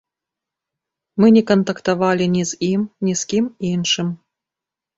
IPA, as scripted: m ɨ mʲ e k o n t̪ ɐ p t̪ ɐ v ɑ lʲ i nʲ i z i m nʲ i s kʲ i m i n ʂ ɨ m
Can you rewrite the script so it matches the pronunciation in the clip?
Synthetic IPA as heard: m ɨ nʲ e k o n t̪ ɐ k t̪ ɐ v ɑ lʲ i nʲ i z i m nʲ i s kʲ i m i n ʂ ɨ m

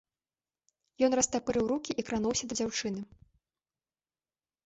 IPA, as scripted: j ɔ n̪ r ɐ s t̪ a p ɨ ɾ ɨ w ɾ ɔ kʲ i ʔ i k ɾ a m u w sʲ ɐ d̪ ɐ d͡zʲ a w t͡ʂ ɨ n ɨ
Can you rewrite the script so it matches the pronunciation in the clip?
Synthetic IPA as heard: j ɔ n̪ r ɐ s t̪ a p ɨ ɾ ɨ w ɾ u kʲ i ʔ i k ɾ a n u w sʲ ɐ d̪ ɐ d͡zʲ a w t͡ʂ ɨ n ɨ

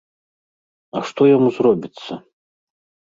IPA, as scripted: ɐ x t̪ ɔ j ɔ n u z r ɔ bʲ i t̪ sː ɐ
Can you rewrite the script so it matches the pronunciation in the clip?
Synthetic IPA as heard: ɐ ʂ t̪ ɔ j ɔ m u z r ɔ bʲ i t̪ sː ɐ

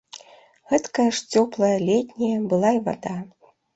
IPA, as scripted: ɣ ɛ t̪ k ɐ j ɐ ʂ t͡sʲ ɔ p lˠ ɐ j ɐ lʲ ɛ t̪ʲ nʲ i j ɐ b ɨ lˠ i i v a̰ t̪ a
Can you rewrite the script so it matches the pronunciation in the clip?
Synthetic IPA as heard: ɣ ɛ t̪ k ɐ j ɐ ʂ t͡sʲ ɔ p lˠ ɐ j ɐ lʲ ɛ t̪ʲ nʲ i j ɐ b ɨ lˠ a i v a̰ d̪ a

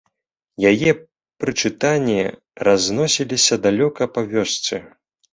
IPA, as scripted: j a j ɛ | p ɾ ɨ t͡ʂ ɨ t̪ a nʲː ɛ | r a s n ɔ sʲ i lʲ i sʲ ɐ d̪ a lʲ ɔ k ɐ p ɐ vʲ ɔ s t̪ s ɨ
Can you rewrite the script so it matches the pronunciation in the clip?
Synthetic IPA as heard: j a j ɛ | p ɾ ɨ t͡ʂ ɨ t̪ a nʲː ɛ | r a z n ɔ sʲ i lʲ i sʲ ɐ d̪ a lʲ ɔ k ɐ p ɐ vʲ ɔ s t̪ s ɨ

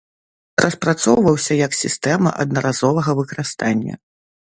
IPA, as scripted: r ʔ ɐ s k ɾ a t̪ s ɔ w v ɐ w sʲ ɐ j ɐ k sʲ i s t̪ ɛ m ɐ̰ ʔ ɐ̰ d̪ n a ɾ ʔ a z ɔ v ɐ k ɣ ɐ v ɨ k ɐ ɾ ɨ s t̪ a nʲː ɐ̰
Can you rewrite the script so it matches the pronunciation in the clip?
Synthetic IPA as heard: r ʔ ɐ s p ɾ a t̪ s ɔ w v ɐ w sʲ ɐ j ɐ k sʲ i s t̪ ɛ m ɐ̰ ʔ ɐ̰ d̪ n ɐ ɾ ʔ a z ɔ v ɐ ɣ ɐ v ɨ k ɐ ɾ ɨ s t̪ a nʲː ɐ̰

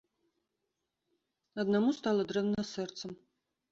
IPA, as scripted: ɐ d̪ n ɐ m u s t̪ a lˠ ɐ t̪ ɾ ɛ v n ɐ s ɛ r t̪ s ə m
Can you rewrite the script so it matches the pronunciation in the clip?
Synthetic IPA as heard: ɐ d̪ n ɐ m u s t̪ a lˠ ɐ d̪ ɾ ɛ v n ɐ s ɛ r t̪ s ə m

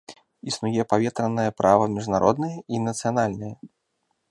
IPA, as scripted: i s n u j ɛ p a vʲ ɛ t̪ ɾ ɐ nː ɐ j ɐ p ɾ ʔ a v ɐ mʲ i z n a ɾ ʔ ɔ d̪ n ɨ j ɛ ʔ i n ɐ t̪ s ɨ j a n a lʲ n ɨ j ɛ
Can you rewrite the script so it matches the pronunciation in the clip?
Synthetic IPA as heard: i s n u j ɛ p a vʲ ɛ t̪ ɾ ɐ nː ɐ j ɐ p ɾ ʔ a v ɐ mʲ i ʐ n a ɾ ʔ ɔ d̪ n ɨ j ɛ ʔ i n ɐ t̪ s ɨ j a n a lʲ n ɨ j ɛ

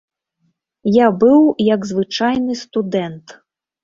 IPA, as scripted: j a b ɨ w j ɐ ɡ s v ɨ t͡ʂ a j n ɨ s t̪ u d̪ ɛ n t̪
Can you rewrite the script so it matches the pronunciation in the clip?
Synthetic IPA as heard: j a b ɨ w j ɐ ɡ z v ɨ t͡ʂ a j n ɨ s t̪ u d̪ ɛ n t̪

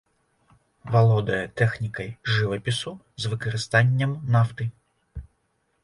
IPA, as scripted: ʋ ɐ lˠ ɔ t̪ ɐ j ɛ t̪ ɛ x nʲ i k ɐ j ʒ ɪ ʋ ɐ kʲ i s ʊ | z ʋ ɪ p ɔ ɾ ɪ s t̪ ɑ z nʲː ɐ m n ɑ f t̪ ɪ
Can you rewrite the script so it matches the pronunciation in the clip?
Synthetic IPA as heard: ʋ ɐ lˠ ɔ d̪ ɐ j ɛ t̪ ɛ x nʲ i k ɐ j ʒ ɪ ʋ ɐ pʲ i s ʊ | z ʋ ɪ k ɔ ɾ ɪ s t̪ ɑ nʲː ɐ m n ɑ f t̪ ɪ

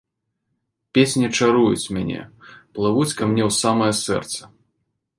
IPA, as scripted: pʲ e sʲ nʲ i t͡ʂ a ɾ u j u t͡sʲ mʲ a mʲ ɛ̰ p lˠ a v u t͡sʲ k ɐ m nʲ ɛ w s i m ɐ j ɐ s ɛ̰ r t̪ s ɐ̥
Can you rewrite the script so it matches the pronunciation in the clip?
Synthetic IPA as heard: pʲ e sʲ nʲ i t͡ʂ a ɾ u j u t͡sʲ mʲ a nʲ ɛ̰ p lˠ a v u t͡sʲ k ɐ m nʲ ɛ w s a m ɐ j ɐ s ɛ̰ r t̪ s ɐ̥

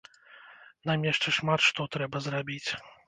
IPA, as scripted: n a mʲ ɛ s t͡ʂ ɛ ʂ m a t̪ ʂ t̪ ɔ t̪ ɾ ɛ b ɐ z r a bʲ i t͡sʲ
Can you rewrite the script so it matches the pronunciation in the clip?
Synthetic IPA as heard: n a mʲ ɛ ʂ t͡ʂ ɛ ʂ m a t̪ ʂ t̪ ɔ t̪ ɾ ɛ b ɐ z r a bʲ i t͡sʲ

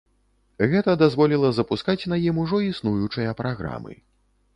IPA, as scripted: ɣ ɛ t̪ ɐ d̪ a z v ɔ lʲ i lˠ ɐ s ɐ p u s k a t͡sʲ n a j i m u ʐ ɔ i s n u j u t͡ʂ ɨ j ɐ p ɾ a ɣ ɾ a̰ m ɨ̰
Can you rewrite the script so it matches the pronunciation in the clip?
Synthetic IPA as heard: ɣ ɛ t̪ ɐ d̪ a z v ɔ lʲ i lˠ ɐ z ɐ p u s k a t͡sʲ n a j i m u ʐ ɔ i s n u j u t͡ʂ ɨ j ɐ p ɾ a ɣ ɾ a̰ m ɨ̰

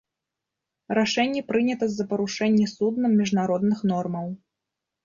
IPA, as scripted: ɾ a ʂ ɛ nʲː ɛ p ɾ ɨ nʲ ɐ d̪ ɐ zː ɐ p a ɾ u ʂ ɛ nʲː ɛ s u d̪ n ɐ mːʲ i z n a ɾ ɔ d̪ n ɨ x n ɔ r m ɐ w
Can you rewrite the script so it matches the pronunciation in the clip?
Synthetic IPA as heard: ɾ a ʂ ɛ nʲː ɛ p ɾ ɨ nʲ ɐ t̪ ɐ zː ɐ p ɐ ɾ u ʂ ɛ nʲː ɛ s u d̪ n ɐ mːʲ i ʐ n a ɾ ɔ d̪ n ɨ x n ɔ r m ɐ w

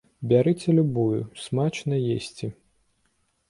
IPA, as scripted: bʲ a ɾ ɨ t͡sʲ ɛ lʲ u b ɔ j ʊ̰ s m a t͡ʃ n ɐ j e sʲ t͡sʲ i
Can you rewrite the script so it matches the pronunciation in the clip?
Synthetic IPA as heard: bʲ a ɾ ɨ t͡sʲ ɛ lʲ u b u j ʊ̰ s m a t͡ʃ n ɐ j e sʲ t͡sʲ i

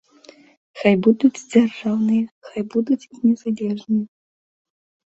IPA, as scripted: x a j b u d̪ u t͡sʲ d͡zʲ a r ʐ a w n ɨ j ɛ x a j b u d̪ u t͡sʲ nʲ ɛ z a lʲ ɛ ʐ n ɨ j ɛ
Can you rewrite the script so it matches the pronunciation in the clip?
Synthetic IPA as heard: x a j b u d̪ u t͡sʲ d͡zʲ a r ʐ a w n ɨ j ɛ x a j b u d̪ u t͡sʲ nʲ ɛ z a lʲ ɛ ʐ n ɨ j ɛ

